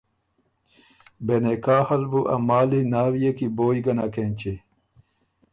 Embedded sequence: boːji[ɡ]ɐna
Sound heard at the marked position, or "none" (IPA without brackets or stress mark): ɡ